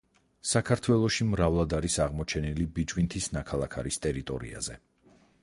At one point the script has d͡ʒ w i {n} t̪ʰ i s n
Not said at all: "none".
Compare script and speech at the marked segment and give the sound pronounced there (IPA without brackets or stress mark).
n